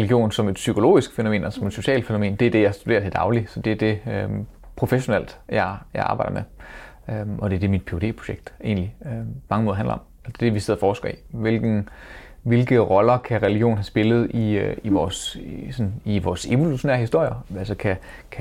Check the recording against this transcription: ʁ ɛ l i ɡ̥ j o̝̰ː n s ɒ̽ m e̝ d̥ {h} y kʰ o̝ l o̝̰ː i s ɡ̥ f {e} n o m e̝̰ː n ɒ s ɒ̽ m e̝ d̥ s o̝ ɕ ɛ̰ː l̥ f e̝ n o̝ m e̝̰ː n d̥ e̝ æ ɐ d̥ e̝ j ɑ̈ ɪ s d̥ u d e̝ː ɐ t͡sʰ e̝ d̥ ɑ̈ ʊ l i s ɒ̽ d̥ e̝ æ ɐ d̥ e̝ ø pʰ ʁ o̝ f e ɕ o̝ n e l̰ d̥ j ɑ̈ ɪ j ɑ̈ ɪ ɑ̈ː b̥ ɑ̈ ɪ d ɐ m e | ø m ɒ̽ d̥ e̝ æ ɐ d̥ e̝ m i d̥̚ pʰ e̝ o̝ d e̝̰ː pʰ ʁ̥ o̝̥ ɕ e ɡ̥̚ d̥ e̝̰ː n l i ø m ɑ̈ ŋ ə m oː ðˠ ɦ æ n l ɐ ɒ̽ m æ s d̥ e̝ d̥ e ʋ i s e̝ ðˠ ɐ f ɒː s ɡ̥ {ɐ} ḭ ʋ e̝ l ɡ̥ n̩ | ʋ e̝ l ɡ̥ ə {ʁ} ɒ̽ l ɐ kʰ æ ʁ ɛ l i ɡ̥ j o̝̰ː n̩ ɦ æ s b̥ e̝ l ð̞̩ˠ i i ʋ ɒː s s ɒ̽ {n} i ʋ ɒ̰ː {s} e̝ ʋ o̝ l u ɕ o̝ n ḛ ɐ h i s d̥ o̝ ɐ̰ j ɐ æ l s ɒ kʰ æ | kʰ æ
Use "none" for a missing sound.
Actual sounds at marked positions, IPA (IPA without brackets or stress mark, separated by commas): s, e, ɐ, ʁ, n, s